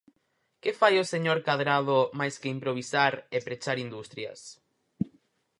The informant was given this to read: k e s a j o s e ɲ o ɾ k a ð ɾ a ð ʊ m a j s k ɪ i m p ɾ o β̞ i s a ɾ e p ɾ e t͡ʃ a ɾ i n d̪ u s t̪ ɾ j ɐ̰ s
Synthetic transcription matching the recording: k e f a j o s e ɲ o ɾ k a ð ɾ a ð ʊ m a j s k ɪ i m p ɾ o β̞ i s a ɾ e p ɾ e t͡ʃ a ɾ i n d̪ u s t̪ ɾ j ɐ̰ s